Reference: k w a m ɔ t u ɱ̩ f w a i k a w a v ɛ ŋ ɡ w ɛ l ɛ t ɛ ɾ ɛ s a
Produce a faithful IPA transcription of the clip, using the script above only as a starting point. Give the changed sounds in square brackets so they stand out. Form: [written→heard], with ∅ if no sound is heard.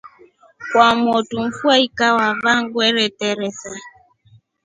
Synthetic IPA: k w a m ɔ t u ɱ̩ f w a i k a w a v [ɛ→a] ŋ ɡ w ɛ [l→ɾ] ɛ t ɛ ɾ ɛ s a